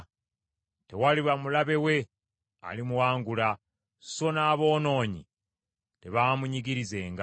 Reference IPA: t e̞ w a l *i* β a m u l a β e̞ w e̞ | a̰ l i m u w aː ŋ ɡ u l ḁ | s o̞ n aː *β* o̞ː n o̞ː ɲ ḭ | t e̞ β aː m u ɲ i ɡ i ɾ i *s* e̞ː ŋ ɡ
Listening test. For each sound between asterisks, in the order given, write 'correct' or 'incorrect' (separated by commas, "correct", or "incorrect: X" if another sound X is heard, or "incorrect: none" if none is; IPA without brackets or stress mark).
correct, correct, incorrect: z